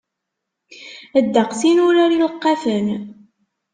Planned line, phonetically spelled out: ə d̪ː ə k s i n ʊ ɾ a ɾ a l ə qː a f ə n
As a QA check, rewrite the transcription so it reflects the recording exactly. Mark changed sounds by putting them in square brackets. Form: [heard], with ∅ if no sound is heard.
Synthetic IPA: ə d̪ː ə [q] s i n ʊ ɾ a ɾ [i] l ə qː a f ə n

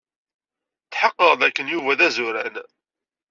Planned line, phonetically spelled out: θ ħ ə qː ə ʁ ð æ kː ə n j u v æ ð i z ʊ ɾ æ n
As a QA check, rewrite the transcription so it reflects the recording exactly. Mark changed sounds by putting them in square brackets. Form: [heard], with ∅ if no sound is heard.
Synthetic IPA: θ ħ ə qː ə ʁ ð æ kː ə n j u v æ ð [æ] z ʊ ɾ æ n

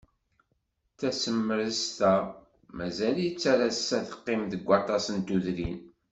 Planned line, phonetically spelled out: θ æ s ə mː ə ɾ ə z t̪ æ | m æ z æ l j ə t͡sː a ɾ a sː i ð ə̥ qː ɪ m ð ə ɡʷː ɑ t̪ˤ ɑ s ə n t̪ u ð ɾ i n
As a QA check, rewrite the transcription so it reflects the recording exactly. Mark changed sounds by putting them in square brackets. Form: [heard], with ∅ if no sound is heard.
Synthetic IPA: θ æ s ə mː ə ɾ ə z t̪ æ | m æ z æ l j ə t͡sː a ɾ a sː [æ] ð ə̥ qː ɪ m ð ə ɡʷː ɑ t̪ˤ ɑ s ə n t̪ u ð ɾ i n

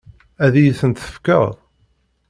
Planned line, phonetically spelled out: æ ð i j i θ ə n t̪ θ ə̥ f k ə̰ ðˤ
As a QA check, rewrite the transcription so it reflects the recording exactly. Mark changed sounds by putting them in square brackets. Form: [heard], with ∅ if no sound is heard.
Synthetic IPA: æ ð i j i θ ə n t̪ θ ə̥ f k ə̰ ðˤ

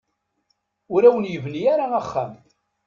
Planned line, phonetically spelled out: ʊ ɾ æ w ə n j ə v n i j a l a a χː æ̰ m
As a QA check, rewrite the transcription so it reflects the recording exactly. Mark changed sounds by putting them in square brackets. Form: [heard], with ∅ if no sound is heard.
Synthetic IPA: ʊ ɾ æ w ə n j ə v n i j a [ɾ] a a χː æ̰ m

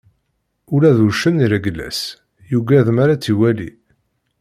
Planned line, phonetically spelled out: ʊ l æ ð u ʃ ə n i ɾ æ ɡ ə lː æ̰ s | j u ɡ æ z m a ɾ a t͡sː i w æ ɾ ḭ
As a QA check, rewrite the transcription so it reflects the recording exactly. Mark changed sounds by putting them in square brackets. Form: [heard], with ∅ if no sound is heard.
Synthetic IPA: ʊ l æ ð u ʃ ə n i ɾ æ ɡ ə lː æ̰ s | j u ɡ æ [ð] m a ɾ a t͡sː i w æ [l] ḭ

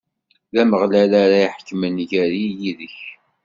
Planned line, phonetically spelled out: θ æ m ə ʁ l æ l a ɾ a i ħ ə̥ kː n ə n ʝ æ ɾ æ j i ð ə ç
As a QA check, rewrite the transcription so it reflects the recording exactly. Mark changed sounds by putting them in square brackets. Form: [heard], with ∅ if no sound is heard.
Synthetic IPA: [ð] æ m ə ʁ l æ l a ɾ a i ħ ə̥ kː [m] ə n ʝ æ ɾ [i] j i ð ə ç

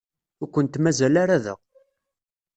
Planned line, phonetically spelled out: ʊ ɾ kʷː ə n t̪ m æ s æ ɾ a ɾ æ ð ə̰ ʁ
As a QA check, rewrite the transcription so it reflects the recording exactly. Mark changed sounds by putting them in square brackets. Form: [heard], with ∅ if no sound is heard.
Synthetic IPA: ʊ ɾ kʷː ə n t̪ m æ [z] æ [l] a ɾ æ ð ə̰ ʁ

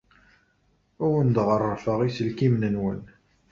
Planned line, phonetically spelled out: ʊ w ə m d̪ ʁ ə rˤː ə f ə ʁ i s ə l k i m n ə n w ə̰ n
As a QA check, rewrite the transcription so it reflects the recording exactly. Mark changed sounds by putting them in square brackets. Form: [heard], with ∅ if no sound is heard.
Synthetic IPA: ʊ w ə [n] d̪ ʁ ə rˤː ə f ə ʁ i s ə l k i m n ə n w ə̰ n

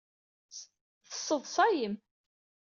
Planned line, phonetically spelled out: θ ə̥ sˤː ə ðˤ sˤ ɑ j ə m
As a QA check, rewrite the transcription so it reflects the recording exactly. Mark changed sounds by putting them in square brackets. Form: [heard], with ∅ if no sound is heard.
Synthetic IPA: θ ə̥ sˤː ə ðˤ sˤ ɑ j ə m

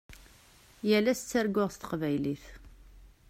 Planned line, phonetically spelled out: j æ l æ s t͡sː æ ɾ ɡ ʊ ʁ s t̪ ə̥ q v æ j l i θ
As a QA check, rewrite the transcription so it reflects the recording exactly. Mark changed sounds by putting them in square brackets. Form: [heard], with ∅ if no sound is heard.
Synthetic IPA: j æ l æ s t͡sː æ ɾ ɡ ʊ ʁ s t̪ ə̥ q v æ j l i θ

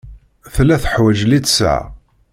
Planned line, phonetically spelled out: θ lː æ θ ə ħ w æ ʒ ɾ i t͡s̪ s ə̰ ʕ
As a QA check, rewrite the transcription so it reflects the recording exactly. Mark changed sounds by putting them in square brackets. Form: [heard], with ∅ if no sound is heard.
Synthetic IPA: θ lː æ θ ə ħ w æ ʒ [l] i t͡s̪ s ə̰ ʕ

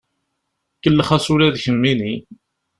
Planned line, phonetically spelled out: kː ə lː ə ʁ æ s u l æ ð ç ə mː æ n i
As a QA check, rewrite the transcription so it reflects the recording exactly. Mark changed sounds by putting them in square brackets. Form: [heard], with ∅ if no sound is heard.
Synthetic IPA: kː ə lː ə [χ] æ s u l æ ð ç ə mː [i] n i

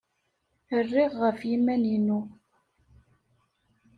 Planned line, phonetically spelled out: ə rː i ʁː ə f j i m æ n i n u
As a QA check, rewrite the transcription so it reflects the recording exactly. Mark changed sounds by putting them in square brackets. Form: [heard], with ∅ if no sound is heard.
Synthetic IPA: ə rː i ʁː ə f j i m æ n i n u

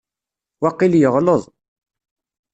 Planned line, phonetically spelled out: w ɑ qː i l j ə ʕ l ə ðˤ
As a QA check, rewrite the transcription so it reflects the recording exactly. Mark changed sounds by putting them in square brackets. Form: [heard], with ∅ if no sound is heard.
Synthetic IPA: w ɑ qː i l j ə [ʁ] l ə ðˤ

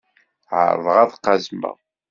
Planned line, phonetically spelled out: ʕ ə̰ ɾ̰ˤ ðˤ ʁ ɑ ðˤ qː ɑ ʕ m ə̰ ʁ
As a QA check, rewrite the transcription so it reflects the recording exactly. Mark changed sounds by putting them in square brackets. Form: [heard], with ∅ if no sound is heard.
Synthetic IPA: ʕ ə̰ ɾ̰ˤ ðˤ ʁ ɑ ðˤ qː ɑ [z] m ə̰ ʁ

